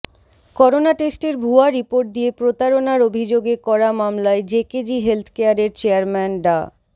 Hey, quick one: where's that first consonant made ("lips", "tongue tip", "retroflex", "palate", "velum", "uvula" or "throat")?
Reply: velum